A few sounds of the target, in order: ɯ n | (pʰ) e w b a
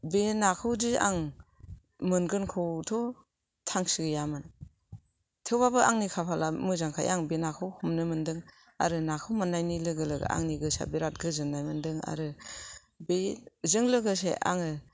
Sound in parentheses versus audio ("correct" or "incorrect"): incorrect